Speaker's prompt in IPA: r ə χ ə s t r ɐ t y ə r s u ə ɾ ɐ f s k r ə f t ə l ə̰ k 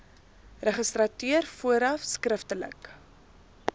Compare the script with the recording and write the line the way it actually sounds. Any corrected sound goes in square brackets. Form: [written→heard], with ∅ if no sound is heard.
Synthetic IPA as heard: r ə χ ə s t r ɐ t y ə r [s→f] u ə ɾ ɐ f s k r ə f t ə l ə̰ k